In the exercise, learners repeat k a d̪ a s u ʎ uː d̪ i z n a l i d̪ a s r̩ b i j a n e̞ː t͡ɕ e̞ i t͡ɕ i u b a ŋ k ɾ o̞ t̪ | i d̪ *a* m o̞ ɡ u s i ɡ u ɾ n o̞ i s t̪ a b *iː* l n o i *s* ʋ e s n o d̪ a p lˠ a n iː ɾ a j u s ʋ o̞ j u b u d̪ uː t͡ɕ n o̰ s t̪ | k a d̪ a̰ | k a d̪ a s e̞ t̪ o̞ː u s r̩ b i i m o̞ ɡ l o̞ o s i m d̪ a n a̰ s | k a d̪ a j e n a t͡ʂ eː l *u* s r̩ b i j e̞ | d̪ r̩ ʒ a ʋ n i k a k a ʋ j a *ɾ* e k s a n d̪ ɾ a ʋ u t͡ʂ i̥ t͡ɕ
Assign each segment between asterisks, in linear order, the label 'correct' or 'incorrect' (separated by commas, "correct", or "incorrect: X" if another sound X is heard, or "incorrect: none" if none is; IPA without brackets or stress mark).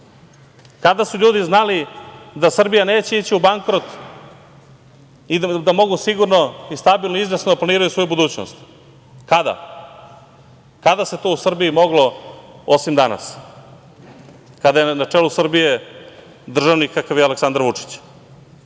correct, incorrect: i, incorrect: z, correct, incorrect: l